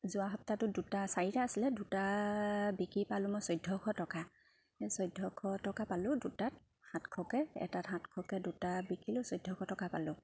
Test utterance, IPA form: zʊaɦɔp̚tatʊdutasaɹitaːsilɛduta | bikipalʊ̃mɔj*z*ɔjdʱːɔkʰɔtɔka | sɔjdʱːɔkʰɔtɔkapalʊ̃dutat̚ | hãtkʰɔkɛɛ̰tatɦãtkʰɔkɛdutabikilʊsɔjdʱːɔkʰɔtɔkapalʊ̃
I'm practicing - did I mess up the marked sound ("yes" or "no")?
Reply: yes